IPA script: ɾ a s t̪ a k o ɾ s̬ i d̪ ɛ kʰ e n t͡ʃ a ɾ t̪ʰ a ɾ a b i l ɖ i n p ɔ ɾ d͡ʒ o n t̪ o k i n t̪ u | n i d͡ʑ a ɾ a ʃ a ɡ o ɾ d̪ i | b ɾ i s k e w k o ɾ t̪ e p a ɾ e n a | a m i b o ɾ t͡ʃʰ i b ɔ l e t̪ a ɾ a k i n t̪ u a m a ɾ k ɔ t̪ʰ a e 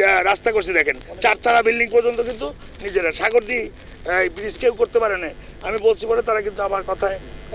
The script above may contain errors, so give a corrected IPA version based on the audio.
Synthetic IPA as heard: ɾ a s t̪ a k o ɾ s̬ i d̪ ɛ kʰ e n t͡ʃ a ɾ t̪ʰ a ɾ a b i l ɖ i ŋ p ɔ ɾ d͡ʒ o n t̪ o k i n t̪ u | n i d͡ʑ e ɾ a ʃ a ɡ o ɾ d̪ i | b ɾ i s k e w k o ɾ t̪ e p a ɾ e n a | a m i b o l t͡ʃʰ i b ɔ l e t̪ a ɾ a k i n t̪ u a m a ɾ k ɔ t̪ʰ a e